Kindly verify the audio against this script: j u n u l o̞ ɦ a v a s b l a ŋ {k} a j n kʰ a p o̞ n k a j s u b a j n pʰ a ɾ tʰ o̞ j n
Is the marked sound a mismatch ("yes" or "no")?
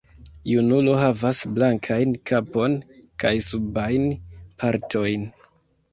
yes